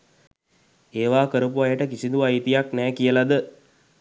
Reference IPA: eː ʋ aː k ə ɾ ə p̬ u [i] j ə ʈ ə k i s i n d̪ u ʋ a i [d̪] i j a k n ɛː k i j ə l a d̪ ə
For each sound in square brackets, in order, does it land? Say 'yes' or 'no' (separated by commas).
no, no